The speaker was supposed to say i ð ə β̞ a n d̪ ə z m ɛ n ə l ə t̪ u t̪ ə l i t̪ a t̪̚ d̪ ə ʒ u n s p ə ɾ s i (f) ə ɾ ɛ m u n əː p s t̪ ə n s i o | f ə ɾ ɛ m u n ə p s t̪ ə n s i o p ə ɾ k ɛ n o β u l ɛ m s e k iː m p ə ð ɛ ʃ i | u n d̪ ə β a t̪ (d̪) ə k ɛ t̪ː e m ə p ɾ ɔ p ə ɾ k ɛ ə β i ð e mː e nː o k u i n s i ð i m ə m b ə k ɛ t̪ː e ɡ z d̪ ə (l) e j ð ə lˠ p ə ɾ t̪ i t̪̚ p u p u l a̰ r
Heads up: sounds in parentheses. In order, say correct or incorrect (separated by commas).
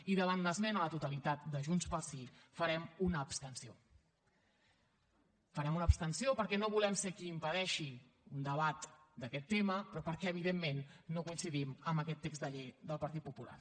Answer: correct, correct, incorrect